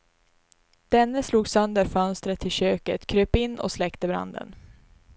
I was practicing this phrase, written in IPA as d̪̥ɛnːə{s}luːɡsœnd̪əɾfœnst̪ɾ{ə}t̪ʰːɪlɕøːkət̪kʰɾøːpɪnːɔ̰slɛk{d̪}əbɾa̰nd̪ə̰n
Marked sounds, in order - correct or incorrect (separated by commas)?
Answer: correct, correct, incorrect